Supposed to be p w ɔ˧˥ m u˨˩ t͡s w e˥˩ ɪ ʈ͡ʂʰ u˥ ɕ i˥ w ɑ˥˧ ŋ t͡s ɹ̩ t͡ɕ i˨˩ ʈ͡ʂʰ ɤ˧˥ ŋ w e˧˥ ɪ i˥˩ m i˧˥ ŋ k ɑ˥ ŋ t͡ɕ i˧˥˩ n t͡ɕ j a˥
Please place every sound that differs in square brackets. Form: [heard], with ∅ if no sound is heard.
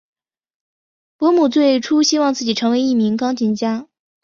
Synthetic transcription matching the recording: p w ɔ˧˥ m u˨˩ t͡s w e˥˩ ɪ ʈ͡ʂʰ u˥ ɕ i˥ w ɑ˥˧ ŋ t͡s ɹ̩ t͡ɕ i˨˩ ʈ͡ʂʰ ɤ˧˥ ŋ w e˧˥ ɪ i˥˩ m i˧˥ ŋ k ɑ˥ ŋ t͡ɕ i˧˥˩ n t͡ɕ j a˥